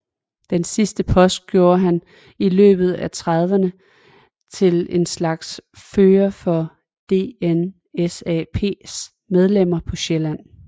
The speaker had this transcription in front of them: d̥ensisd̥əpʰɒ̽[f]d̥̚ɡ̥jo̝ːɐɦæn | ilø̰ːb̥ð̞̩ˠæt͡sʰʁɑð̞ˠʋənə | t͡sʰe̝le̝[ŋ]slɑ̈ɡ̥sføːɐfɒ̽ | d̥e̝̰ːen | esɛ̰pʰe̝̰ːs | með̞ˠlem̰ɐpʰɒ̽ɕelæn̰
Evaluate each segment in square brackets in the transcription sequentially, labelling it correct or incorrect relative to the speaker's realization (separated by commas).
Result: incorrect, incorrect